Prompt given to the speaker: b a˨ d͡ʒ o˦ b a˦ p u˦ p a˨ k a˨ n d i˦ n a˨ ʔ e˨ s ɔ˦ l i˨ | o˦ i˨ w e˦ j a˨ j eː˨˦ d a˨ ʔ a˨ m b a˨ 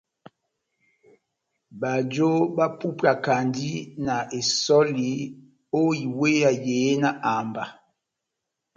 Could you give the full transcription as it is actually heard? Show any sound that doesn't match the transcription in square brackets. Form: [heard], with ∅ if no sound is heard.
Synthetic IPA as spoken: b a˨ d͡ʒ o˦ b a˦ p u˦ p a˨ k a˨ n d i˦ n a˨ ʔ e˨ s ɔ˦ l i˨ | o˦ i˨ w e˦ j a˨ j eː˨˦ [n] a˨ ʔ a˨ m b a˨